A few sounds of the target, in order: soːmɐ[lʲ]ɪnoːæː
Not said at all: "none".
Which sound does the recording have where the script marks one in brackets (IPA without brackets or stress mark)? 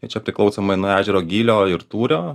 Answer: none